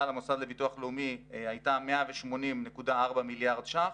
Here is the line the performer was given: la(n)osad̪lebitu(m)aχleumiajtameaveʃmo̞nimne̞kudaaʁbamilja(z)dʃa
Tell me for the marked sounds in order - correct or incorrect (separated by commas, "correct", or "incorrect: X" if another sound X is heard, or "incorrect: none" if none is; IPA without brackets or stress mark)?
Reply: incorrect: m, incorrect: none, incorrect: ʁ